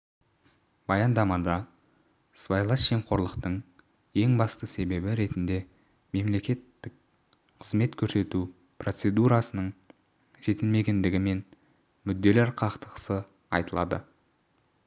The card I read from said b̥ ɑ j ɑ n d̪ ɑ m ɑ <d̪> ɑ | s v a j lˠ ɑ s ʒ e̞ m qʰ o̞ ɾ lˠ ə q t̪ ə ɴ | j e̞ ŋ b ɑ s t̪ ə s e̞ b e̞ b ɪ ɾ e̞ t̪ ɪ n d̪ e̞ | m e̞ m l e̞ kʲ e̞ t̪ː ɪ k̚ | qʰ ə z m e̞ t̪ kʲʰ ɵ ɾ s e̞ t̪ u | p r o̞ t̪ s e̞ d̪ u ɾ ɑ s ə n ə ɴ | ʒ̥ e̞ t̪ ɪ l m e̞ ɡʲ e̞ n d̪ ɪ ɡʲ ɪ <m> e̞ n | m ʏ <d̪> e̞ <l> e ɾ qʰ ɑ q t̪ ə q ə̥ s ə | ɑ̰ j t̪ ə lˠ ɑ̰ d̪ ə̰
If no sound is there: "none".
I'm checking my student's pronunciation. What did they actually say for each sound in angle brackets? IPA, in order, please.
d̪, m, d̪ː, l

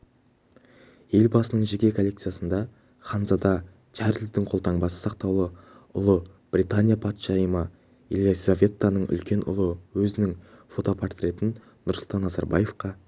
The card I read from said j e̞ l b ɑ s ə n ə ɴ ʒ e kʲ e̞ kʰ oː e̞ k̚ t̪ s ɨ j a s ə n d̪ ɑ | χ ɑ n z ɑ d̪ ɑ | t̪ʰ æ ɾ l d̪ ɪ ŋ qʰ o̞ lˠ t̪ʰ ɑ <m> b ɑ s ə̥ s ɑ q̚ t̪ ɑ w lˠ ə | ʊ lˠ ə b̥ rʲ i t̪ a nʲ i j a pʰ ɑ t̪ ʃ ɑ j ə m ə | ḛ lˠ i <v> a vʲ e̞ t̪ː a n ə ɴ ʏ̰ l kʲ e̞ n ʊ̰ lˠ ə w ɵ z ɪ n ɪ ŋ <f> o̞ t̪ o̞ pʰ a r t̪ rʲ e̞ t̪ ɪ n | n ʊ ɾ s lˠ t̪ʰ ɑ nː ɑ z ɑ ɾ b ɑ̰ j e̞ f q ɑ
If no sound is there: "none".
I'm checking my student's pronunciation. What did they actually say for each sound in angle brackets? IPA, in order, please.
ɴ, z, f

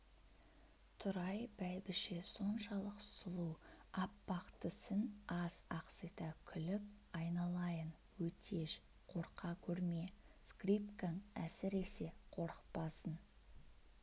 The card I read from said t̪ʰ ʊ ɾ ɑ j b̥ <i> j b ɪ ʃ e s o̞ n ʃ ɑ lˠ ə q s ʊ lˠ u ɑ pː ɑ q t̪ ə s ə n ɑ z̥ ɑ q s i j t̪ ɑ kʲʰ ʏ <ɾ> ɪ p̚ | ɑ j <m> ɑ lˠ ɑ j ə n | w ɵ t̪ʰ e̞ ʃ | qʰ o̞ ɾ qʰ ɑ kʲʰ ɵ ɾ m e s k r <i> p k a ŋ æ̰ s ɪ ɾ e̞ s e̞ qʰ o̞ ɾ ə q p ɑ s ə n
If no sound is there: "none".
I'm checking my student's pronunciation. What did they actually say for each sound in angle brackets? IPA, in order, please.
æ, l, n, i

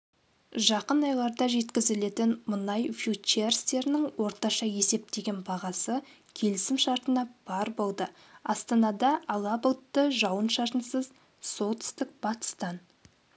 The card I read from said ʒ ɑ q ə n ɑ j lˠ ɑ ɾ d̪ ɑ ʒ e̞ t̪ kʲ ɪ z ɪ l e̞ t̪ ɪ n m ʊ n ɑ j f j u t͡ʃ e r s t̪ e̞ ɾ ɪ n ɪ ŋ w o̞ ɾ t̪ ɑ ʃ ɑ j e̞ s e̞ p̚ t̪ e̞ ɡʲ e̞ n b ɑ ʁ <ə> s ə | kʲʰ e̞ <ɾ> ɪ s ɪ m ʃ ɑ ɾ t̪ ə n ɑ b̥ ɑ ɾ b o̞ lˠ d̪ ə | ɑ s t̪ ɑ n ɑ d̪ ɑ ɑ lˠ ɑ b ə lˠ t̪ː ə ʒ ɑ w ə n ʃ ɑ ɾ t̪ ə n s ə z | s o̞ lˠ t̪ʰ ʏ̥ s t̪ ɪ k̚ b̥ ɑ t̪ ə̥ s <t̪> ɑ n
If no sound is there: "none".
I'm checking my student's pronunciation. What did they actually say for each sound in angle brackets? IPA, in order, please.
ɑ, l, t̪

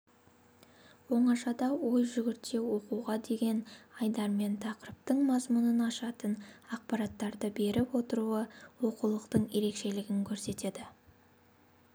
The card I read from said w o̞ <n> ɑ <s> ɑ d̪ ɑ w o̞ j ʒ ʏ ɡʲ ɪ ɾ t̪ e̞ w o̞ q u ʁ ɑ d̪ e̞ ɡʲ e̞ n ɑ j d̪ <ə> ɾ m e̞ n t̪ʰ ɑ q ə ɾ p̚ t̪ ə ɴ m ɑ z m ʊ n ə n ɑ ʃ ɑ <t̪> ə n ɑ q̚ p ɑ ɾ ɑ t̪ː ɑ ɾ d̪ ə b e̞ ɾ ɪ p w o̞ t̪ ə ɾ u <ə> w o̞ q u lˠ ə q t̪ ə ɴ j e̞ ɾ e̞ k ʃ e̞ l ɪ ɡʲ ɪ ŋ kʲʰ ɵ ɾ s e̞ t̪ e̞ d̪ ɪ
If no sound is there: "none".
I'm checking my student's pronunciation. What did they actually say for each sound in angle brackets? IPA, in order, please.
ɴ, ʃ, ɑ, t̪, ə

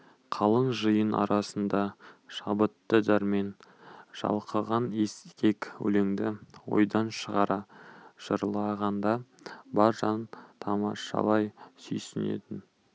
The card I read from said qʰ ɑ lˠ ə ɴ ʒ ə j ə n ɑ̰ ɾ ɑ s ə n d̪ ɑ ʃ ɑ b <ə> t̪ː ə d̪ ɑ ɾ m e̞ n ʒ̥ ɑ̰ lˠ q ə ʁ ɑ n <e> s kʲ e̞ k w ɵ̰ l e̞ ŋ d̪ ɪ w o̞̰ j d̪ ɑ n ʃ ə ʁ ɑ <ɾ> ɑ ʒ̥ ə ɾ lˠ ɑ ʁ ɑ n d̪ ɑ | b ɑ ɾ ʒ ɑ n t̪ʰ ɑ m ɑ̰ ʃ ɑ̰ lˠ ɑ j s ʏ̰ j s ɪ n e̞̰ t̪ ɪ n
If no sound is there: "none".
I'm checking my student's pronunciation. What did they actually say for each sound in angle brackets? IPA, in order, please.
ə, e, ɾ

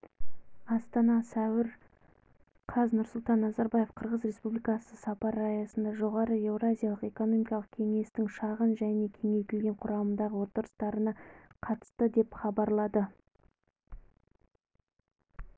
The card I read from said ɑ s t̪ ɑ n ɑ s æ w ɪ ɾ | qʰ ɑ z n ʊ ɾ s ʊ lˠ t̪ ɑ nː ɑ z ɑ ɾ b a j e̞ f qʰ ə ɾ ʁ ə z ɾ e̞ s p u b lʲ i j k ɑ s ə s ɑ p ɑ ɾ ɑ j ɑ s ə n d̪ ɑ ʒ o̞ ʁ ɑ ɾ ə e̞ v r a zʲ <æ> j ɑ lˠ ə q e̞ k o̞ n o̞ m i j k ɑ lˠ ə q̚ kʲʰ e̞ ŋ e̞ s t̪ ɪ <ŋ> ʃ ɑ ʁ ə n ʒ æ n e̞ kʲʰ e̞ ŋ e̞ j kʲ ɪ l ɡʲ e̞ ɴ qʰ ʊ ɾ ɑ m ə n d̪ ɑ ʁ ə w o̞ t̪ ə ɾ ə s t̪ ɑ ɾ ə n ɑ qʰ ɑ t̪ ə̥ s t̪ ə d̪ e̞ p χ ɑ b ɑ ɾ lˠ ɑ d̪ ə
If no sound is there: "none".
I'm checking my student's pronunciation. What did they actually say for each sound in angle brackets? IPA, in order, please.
i, ŋ

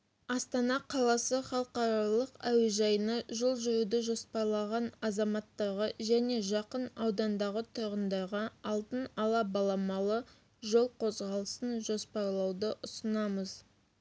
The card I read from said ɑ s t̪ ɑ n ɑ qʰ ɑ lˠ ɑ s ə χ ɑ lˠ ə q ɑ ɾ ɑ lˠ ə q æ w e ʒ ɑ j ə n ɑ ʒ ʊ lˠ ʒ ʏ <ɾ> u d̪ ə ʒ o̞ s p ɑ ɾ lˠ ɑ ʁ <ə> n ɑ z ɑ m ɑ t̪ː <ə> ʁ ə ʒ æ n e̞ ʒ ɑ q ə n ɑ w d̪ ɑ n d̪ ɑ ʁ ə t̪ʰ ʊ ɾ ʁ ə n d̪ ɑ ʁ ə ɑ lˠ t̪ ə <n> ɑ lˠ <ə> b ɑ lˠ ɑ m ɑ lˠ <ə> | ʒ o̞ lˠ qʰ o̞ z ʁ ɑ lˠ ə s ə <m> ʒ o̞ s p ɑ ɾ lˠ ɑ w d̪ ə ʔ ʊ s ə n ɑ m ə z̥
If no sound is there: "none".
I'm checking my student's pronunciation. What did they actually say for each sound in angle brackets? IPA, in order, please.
ɾ, ɑ, ɑ, n, ɑ, ə, n

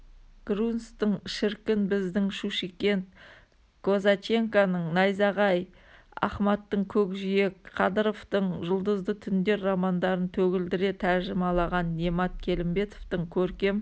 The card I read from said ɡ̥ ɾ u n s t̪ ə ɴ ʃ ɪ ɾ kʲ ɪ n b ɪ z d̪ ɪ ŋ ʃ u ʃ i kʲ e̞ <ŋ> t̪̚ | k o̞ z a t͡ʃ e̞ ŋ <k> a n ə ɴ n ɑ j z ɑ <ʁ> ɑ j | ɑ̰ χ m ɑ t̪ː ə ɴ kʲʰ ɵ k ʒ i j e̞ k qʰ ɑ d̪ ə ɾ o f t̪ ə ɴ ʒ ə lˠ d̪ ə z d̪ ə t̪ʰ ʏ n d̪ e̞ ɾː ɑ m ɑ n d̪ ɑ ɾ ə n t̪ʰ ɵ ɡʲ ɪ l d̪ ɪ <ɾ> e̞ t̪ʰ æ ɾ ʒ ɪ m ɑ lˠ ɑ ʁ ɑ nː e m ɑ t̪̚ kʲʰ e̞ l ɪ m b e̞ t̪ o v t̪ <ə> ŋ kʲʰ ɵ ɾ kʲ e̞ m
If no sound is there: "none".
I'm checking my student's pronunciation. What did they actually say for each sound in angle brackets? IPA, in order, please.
n, k, ʁ, ɾ, ə

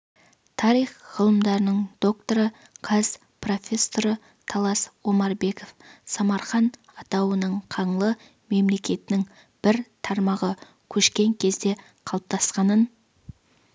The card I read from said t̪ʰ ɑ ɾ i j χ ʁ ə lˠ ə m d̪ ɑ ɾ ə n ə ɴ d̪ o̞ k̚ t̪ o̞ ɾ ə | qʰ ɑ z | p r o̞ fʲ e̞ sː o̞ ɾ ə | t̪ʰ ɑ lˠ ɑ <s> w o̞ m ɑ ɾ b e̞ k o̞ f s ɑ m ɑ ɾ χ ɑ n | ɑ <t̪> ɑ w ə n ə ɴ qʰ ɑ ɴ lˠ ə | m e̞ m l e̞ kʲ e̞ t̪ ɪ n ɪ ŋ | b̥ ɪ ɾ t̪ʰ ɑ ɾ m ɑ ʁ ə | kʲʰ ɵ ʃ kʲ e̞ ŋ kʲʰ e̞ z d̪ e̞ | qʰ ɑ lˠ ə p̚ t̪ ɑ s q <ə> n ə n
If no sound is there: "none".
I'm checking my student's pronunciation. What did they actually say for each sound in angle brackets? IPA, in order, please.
s, t̪, ɑ

